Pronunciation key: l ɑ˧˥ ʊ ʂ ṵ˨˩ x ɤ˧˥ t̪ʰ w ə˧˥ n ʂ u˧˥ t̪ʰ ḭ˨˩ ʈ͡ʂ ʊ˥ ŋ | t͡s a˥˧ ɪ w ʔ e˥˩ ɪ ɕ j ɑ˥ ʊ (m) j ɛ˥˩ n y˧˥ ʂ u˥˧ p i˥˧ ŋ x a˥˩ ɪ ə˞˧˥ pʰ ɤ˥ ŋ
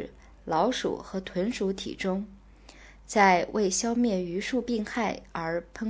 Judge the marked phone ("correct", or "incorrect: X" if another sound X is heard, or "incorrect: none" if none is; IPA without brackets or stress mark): correct